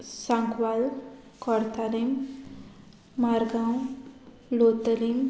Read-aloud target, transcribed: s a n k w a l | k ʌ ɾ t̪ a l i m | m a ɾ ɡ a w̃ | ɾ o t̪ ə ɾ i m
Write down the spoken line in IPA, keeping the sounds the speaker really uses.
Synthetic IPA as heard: s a ŋ k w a l | k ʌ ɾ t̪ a l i m | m a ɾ ɡ a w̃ | l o t̪ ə l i m

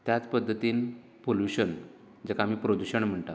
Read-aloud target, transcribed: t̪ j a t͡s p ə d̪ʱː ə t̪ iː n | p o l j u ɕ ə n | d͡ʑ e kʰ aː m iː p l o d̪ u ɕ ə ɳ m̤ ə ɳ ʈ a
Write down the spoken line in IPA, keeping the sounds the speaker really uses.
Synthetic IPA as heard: t̪ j a t͡s p ə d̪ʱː ə t̪ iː n | p o l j u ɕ ə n | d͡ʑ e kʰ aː m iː p ɾ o d̪ u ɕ ə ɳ m̤ ə ɳ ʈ a

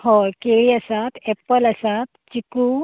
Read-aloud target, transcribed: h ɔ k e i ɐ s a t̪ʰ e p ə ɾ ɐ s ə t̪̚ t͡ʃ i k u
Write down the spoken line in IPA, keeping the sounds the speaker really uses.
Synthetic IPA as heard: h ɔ k e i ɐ s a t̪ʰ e p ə l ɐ s a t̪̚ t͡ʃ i k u

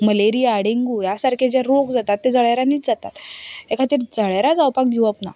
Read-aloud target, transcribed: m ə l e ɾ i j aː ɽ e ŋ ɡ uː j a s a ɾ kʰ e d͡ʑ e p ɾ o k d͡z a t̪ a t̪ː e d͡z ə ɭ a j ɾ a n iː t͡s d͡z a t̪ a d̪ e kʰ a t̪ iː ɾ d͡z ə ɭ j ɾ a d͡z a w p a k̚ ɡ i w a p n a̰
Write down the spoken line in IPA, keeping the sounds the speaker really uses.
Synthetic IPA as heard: m ə l e ɾ i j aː ɽ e ŋ ɡ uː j a s a ɾ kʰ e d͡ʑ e ɾ o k d͡z a t̪ a t̪ː e d͡z ə ɭ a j ɾ a n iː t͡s d͡z a t̪ a t̪ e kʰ a t̪ iː ɾ d͡z ə ɭ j ɾ a d͡z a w p a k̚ ɡ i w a p n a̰

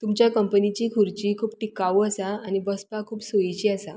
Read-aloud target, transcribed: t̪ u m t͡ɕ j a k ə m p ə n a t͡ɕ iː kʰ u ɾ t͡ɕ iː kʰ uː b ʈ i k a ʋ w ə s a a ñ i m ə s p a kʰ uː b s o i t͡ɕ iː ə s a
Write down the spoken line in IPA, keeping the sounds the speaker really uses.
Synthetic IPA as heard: t̪ u m t͡ɕ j a k ə m p ə n i t͡ɕ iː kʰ u ɾ t͡ɕ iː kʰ uː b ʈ i k a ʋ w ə s a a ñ i b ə s p a kʰ uː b s o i t͡ɕ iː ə s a

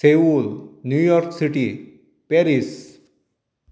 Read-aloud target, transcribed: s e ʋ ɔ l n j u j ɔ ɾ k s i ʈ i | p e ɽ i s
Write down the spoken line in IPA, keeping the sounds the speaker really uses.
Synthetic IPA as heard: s e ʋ u l n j u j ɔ ɾ k s i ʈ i | p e ɾ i s

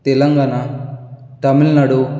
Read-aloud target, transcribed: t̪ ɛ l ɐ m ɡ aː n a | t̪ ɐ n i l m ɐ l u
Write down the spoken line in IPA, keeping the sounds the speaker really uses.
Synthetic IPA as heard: t̪ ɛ l ɐ ŋ ɡ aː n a | t̪ ɐ m i l n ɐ ɽ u

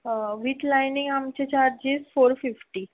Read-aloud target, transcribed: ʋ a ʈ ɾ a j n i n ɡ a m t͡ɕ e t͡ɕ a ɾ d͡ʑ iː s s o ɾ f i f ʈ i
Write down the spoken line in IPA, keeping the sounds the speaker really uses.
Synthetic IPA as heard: ʋ i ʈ l a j n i ŋ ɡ a m t͡ɕ e t͡ɕ a ɾ d͡ʑ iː s f o ɾ f i f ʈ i

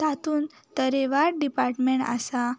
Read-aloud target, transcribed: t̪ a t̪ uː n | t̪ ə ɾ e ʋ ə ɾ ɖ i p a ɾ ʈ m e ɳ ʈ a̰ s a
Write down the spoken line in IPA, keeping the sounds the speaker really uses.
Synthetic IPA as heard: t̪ a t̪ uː n | t̪ ə ɾ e ʋ a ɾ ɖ i p a ɾ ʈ m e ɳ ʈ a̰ s a

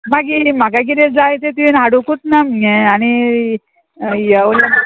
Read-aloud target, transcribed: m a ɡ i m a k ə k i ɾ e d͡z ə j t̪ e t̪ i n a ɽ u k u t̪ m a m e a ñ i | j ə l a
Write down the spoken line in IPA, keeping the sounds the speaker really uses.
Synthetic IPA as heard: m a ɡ i m a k a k i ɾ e d͡z a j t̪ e t̪ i n a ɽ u k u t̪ n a m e a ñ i | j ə l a

